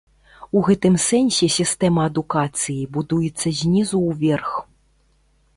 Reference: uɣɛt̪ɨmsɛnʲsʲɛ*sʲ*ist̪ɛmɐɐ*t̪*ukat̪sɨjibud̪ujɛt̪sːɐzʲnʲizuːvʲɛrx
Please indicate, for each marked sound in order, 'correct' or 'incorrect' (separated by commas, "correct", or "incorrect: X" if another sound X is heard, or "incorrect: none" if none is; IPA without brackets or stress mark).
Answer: correct, incorrect: d̪